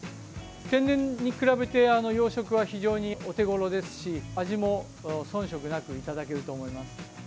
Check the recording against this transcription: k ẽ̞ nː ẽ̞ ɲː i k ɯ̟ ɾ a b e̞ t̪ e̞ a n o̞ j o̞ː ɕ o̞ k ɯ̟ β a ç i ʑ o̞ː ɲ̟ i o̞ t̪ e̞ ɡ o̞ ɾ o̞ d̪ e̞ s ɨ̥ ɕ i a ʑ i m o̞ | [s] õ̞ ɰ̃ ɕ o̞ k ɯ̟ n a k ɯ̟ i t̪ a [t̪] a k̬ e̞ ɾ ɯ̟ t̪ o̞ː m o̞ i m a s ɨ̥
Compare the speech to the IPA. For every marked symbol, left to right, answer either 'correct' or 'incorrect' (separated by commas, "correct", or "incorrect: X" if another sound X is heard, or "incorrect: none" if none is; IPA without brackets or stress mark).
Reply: correct, incorrect: d̪